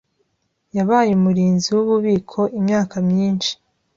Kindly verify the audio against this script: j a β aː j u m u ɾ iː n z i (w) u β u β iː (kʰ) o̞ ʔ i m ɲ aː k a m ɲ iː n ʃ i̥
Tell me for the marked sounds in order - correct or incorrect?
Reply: correct, correct

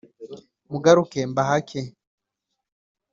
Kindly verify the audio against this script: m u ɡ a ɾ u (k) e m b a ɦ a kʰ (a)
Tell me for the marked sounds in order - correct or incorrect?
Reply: correct, incorrect: e

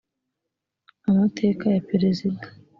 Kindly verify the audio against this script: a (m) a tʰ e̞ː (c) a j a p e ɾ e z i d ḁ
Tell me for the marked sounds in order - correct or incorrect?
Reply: correct, incorrect: k

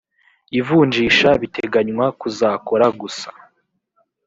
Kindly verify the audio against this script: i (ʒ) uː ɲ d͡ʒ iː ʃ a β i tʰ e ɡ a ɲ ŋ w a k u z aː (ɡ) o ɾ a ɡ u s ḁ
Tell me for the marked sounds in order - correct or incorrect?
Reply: incorrect: v, incorrect: k

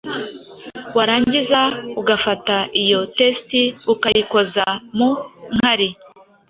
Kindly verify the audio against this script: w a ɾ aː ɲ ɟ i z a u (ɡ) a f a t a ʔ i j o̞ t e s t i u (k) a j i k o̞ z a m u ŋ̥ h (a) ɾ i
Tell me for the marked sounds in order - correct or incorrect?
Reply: correct, correct, correct

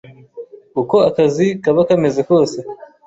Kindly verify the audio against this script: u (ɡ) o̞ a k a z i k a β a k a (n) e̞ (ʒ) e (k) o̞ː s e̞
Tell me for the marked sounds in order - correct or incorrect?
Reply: incorrect: k, incorrect: m, incorrect: z, correct

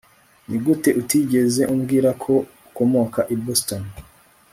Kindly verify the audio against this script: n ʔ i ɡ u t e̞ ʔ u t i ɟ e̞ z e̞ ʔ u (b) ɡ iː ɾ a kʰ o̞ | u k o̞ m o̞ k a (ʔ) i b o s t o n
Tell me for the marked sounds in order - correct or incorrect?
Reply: incorrect: m, correct

